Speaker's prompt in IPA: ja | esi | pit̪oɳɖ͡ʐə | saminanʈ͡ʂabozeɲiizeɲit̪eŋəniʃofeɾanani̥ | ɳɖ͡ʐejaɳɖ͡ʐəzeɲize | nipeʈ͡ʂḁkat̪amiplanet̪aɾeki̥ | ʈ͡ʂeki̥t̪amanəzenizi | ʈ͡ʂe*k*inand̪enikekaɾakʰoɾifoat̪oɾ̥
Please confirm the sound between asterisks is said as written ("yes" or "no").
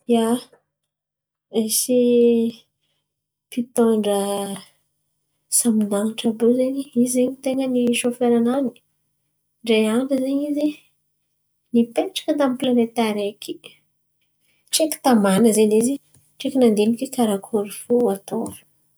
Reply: yes